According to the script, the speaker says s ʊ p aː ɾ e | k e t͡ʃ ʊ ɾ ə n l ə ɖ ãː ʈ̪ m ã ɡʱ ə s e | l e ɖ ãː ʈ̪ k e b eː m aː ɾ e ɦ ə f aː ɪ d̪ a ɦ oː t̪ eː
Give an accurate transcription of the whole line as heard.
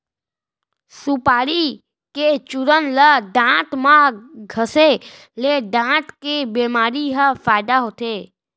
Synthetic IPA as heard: s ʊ p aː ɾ i | k e t͡ʃ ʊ ɾ ə n l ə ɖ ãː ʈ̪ m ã ɡʱ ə s e | l e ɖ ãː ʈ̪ k e b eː m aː ɾ i ɦ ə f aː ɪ d̪ a ɦ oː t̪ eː